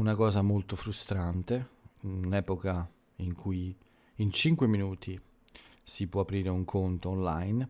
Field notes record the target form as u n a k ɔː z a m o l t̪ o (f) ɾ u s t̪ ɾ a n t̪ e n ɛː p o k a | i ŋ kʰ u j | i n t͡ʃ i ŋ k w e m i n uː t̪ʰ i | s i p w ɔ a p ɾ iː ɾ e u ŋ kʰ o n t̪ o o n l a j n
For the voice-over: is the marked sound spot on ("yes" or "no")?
yes